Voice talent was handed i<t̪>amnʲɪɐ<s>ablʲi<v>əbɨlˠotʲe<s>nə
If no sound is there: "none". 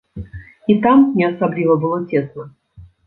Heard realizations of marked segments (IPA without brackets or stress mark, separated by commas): t̪, s, v, s